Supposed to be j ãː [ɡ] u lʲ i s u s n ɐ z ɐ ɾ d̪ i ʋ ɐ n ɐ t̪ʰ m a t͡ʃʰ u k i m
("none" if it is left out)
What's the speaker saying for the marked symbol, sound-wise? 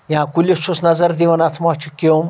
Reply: k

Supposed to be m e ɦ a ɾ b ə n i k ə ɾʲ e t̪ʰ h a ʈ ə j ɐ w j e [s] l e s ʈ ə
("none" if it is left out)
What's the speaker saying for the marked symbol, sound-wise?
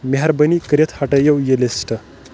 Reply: none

